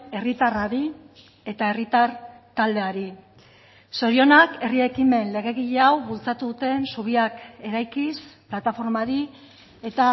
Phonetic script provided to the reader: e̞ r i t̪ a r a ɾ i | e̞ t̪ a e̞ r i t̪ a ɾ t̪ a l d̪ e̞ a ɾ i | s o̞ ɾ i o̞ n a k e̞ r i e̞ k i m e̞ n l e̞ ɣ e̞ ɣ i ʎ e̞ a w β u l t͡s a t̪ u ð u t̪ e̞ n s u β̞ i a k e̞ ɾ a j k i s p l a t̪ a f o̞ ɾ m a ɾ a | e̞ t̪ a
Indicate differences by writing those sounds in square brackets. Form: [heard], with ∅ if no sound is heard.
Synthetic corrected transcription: e̞ r i t̪ a r a ɾ i | e̞ t̪ a e̞ r i t̪ a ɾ t̪ a l d̪ e̞ a ɾ i | s o̞ ɾ i o̞ n a k e̞ r i e̞ k i m e̞ n l e̞ ɣ e̞ ɣ i ʎ e̞ a w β u l t͡s a t̪ u ð u t̪ e̞ n s u β̞ i a k e̞ ɾ a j k i s p l a t̪ a f o̞ ɾ m a ɾ [i] | e̞ t̪ a